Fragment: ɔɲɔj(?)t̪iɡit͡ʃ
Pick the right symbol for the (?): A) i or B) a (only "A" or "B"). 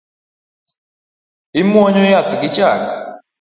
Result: B